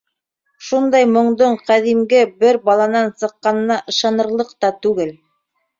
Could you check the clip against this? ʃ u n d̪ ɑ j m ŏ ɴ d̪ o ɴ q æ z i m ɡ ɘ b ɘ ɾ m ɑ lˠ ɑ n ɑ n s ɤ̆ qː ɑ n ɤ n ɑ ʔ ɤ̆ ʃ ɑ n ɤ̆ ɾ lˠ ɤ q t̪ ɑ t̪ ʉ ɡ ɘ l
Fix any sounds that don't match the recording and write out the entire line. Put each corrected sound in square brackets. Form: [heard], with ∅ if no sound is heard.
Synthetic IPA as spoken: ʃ u n d̪ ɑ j m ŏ ɴ d̪ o ɴ q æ [ð] i m ɡ ɘ b ɘ ɾ [b] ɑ lˠ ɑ n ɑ n s ɤ̆ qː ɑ n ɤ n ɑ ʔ ɤ̆ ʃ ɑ n ɤ̆ ɾ lˠ ɤ q t̪ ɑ t̪ ʉ ɡ ɘ l